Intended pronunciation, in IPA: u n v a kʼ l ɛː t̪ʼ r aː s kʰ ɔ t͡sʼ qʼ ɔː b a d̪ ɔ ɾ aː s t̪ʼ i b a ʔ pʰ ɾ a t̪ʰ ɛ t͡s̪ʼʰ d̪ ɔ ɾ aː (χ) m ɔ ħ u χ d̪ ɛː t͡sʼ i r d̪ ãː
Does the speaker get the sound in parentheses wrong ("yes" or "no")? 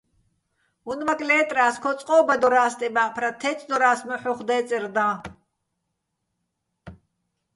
yes